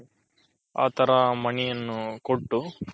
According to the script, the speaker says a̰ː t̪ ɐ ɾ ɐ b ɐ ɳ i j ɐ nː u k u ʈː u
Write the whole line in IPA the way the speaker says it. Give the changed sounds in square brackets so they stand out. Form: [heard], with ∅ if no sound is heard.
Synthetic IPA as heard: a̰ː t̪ ɐ ɾ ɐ [m] ɐ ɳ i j ɐ nː u k [o] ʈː u